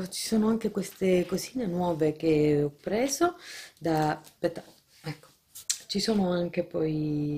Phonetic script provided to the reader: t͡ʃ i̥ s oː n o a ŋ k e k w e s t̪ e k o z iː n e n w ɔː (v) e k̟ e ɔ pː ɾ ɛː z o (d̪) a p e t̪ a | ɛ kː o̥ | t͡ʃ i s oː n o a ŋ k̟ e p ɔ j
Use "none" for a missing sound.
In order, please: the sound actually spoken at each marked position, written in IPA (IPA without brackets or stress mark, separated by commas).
v, d̪